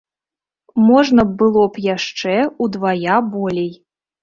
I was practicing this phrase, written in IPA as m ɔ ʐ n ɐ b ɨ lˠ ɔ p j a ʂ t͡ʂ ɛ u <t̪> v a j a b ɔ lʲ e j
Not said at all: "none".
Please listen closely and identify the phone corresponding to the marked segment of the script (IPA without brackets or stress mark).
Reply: d̪